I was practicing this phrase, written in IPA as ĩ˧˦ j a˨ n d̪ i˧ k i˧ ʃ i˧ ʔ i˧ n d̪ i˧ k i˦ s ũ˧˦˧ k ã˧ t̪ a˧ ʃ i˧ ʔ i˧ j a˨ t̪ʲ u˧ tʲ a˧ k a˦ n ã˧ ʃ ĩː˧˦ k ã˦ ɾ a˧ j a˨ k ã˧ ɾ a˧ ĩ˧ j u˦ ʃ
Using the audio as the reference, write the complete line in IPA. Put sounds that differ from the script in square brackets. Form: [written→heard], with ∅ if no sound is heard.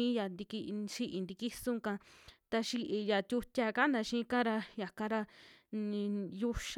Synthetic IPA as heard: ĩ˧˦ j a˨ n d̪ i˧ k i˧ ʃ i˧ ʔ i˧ n d̪ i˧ k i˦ s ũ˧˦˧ k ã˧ t̪ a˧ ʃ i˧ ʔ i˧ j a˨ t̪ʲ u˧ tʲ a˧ k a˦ n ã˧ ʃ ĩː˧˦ k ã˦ ɾ a˧ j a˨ k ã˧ ɾ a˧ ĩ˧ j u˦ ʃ